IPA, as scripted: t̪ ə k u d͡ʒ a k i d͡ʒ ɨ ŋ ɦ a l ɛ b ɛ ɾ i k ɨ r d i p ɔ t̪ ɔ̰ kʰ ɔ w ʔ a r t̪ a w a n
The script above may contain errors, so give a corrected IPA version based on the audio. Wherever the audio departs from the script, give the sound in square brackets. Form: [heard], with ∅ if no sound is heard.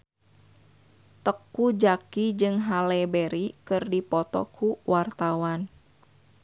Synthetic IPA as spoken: t̪ ə k u d͡ʒ a k i d͡ʒ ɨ ŋ ɦ a l ɛ b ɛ ɾ i k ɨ r d i p ɔ t̪ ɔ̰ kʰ [u] w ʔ a r t̪ a w a n